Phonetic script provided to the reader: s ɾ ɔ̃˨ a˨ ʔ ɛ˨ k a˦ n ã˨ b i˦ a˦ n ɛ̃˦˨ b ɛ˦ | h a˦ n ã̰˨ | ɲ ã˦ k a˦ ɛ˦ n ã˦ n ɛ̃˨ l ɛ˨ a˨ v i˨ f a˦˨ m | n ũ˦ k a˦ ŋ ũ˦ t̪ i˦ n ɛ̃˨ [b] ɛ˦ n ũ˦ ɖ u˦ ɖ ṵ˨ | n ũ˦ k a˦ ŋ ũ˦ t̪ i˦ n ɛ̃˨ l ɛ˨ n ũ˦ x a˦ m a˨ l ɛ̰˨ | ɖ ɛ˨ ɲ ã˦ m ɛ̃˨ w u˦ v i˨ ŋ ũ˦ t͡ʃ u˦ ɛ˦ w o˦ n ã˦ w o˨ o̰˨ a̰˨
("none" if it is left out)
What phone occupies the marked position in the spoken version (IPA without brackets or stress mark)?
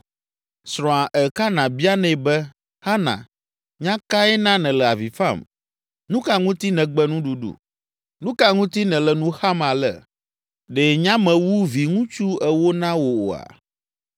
ɡ͡b